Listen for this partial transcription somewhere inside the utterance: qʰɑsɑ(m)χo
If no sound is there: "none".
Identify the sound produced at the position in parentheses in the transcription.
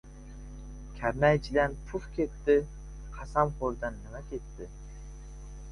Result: m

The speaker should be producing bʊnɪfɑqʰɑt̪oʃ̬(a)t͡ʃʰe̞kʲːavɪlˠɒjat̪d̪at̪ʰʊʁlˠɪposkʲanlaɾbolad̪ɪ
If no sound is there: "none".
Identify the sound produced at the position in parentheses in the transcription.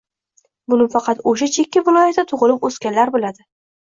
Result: a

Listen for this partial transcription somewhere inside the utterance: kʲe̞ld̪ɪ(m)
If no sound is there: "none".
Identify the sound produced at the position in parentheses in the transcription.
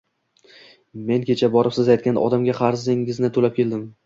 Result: m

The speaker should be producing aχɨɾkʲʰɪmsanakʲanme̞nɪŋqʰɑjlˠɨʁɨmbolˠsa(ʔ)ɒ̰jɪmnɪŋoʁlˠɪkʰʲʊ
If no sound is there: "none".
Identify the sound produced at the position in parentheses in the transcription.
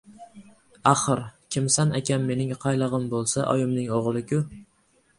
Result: ʔ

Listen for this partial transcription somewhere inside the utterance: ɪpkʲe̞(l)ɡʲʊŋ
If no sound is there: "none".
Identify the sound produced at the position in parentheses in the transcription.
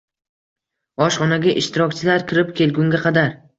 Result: l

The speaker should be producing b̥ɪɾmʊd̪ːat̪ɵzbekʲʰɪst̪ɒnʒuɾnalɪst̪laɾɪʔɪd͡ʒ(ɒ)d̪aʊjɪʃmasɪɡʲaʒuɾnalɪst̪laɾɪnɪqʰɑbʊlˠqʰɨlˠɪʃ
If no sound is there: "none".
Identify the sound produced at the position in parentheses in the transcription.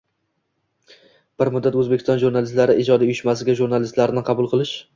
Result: ɒ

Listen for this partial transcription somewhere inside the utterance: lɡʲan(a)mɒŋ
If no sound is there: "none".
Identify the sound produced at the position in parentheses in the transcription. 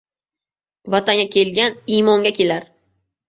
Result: i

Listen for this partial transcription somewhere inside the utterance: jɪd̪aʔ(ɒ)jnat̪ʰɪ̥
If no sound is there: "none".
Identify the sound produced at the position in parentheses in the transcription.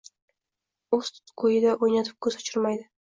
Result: o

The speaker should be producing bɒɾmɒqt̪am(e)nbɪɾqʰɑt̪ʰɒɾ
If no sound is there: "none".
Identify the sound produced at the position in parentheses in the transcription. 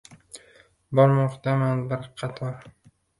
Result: a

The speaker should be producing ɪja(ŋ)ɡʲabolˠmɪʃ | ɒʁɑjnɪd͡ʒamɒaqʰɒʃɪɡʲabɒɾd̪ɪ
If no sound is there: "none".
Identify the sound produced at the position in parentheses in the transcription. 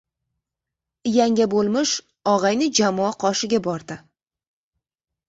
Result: ŋ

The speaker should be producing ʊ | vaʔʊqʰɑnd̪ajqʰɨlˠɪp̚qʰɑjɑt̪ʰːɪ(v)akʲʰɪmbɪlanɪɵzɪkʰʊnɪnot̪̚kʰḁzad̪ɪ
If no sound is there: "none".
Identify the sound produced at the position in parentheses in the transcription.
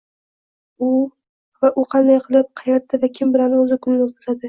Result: v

